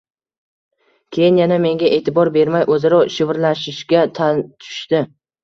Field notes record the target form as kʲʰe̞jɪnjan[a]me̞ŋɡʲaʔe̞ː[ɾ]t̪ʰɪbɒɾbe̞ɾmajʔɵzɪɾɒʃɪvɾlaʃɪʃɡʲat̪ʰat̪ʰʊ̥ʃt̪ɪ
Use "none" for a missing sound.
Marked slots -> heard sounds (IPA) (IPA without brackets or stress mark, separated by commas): a, none